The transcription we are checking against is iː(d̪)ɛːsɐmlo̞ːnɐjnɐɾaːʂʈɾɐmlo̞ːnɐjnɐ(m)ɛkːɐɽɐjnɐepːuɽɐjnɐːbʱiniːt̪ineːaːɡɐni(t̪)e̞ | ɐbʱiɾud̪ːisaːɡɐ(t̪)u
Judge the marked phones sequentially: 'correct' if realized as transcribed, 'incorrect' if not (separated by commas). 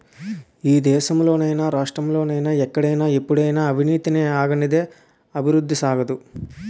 correct, incorrect, incorrect, incorrect